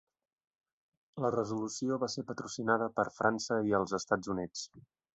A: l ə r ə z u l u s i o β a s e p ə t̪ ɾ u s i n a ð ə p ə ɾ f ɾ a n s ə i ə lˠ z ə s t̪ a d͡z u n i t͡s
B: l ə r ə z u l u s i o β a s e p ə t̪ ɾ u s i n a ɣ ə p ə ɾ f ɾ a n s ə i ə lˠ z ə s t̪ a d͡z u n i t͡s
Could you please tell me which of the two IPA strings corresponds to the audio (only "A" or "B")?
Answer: A